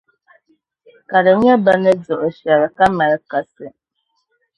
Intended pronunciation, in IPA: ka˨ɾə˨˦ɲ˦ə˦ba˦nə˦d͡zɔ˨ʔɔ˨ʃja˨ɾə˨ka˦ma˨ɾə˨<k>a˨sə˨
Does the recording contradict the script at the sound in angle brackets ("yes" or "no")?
no